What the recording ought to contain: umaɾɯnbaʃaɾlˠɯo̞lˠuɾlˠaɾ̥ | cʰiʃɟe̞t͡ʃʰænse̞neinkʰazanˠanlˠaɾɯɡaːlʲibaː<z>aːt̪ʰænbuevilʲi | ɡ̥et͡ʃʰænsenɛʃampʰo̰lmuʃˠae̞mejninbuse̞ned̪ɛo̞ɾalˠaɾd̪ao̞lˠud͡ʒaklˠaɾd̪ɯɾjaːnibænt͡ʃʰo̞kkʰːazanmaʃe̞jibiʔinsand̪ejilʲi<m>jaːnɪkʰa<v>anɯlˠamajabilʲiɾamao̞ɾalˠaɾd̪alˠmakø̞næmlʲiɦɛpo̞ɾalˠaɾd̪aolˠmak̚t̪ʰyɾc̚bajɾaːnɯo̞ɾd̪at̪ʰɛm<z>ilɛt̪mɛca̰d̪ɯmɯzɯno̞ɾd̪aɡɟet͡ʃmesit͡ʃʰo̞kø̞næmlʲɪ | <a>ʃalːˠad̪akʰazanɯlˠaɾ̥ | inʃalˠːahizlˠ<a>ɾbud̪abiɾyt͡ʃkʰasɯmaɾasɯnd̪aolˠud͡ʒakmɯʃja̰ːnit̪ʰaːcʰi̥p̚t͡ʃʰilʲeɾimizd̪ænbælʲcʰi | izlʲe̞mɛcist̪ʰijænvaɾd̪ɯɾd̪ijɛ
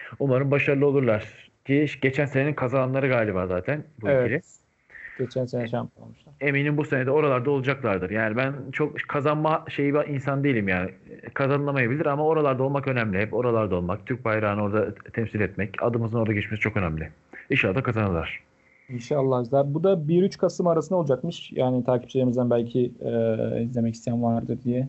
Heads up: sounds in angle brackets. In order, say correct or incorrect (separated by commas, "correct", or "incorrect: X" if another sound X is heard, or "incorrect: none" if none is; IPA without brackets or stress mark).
correct, correct, incorrect: z, incorrect: s, incorrect: i, correct